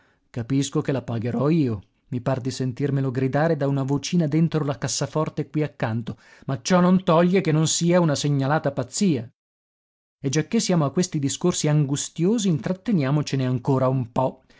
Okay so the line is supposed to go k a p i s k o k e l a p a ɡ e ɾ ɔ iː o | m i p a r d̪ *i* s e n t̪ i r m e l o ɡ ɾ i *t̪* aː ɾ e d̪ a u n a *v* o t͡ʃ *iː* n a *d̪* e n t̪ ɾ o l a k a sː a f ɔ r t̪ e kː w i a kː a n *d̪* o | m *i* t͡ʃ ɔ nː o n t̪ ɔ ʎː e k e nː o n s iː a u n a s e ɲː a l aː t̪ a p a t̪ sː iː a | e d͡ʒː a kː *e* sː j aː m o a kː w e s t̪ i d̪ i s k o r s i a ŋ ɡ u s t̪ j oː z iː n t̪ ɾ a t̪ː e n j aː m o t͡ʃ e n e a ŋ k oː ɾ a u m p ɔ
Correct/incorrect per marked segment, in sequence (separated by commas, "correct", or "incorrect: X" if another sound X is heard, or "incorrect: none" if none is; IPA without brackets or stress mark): correct, incorrect: d̪, correct, correct, correct, incorrect: t̪, incorrect: a, correct